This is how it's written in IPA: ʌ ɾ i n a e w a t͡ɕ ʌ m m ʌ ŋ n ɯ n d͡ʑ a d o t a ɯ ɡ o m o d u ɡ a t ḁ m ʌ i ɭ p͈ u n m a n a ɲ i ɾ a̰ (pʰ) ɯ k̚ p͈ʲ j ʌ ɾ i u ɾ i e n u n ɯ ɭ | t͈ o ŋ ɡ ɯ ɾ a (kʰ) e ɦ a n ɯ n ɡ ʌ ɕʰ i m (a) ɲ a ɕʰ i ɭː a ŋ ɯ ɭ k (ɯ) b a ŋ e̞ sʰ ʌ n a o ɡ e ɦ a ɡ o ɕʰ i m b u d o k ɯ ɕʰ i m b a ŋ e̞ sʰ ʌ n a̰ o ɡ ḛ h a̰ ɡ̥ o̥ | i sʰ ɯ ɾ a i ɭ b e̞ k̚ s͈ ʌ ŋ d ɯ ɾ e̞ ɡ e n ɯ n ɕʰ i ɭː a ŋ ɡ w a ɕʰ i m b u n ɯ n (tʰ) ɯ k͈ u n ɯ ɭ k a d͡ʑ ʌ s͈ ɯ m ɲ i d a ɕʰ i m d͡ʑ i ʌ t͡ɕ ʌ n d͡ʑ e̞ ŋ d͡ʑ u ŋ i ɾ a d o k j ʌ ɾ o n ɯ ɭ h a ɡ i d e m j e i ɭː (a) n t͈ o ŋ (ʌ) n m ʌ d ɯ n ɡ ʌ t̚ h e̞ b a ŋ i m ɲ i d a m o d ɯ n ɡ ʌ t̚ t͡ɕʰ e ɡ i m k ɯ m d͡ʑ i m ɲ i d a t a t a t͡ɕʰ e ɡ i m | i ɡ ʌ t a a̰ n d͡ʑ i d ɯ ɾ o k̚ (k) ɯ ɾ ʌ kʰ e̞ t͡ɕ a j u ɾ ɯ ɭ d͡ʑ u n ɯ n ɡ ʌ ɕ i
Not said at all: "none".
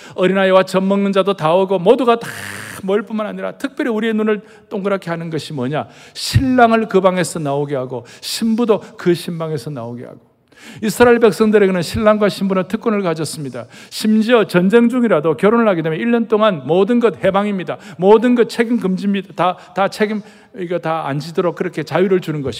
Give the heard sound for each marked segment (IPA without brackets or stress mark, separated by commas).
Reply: tʰ, kʰ, ʌ, ɯ, tʰ, ʌ, a, k